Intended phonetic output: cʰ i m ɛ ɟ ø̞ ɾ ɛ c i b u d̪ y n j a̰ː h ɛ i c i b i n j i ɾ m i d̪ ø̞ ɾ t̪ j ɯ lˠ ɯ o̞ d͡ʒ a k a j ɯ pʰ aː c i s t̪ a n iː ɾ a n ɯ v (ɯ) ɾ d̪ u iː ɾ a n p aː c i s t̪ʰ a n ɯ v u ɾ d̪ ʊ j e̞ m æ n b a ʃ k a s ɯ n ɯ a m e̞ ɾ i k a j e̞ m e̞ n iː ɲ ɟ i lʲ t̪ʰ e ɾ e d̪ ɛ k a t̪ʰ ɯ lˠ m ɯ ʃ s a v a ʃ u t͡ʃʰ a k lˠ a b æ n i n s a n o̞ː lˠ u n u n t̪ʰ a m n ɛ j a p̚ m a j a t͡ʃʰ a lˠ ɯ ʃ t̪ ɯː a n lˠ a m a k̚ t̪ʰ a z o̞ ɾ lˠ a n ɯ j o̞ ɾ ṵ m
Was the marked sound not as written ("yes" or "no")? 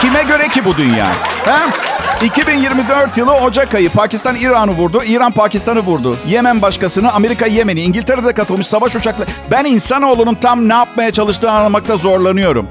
yes